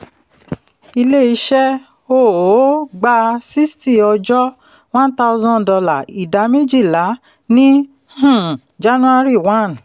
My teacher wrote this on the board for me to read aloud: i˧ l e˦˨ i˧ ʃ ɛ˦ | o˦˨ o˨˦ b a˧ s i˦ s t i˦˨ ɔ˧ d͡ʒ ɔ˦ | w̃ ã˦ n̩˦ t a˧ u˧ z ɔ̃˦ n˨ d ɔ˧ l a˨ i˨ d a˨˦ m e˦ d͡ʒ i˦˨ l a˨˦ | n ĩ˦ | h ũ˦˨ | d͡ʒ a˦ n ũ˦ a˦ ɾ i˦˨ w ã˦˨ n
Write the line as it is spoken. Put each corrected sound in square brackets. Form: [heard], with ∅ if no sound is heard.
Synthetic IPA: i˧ l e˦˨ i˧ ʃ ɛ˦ | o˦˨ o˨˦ [ɡ͡b] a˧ s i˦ s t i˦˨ ɔ˧ d͡ʒ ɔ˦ | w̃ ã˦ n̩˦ t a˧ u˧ z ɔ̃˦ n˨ d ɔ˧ l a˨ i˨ d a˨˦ m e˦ d͡ʒ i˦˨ l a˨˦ | n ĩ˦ | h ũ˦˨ | d͡ʒ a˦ n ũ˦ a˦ ɾ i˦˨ w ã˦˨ n